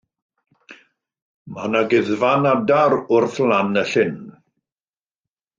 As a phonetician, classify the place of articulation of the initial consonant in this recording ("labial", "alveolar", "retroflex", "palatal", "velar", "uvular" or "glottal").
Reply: labial